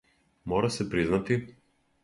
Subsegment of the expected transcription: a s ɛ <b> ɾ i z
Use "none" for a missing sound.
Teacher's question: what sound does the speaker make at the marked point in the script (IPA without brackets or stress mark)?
p